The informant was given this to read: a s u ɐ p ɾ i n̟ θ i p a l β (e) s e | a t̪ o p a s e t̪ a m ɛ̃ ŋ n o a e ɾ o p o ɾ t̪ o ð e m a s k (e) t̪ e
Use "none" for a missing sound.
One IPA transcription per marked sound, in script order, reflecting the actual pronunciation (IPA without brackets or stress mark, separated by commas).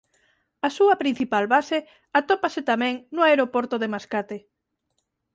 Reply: a, a